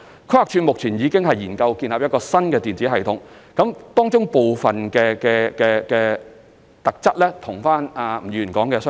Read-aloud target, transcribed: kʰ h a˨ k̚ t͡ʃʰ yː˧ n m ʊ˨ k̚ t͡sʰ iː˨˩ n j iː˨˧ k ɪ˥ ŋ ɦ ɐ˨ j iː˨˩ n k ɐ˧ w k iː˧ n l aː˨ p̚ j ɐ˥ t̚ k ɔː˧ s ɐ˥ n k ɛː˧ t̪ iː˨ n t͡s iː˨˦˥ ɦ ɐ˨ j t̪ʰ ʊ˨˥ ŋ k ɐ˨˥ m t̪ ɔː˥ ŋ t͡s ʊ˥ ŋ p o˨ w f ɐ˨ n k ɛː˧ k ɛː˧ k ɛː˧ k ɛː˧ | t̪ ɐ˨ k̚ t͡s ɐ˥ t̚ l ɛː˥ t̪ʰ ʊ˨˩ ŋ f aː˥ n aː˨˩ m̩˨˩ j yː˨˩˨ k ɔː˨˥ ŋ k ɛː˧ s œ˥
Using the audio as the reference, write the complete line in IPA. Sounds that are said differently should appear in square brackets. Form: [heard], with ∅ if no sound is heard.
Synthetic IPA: kʰ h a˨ k̚ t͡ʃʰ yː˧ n m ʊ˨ k̚ t͡sʰ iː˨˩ n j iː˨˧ k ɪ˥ ŋ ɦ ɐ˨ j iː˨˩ n k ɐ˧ w k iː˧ n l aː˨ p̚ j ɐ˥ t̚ k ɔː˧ s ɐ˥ n k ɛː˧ t̪ iː˨ n t͡s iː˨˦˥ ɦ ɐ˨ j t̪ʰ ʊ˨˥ ŋ k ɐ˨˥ m t̪ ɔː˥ ŋ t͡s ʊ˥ ŋ p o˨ w f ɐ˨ n k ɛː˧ k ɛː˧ k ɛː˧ k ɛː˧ | t̪ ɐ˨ k̚ t͡s ɐ˥ t̚ l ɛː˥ t̪ʰ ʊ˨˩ ŋ f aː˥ n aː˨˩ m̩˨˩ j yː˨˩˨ k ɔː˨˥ ŋ k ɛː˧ s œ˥